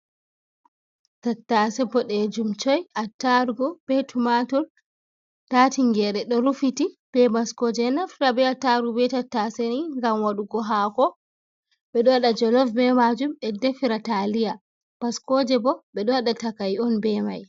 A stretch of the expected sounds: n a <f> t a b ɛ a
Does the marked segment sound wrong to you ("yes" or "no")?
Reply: no